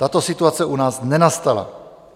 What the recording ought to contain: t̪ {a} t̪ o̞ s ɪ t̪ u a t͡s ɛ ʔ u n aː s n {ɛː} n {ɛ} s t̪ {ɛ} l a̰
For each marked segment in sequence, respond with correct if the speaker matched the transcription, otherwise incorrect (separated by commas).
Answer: correct, incorrect, incorrect, incorrect